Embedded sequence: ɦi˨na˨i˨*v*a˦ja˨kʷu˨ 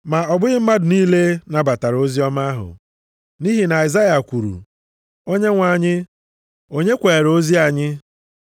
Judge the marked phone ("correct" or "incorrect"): incorrect